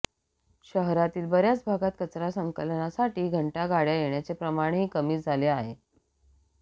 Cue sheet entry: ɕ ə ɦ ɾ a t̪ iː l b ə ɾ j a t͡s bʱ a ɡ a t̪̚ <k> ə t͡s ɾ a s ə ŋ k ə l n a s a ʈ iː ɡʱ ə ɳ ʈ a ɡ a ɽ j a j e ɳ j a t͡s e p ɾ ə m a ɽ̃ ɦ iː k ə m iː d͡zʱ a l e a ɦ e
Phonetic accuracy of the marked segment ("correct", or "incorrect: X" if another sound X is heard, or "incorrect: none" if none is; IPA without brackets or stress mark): correct